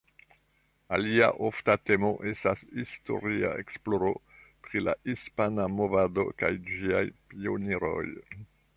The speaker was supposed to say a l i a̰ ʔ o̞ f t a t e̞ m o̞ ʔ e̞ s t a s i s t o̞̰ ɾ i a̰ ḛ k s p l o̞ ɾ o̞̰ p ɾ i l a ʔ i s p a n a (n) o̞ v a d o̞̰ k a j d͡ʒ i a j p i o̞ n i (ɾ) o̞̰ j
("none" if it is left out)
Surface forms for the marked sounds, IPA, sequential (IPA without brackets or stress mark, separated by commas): m, ɾ